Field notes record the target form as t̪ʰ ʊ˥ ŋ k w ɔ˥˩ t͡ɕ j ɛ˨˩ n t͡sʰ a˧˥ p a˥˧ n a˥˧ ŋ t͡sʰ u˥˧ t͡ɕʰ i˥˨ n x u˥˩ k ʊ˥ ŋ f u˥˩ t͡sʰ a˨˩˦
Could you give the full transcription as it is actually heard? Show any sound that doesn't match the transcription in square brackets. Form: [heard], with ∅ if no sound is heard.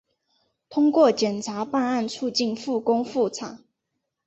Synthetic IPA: t̪ʰ ʊ˥ ŋ k w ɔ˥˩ t͡ɕ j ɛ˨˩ n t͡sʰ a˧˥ p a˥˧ n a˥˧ [n] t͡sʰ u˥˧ [t͡ɕ] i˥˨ n [f] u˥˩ k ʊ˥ ŋ f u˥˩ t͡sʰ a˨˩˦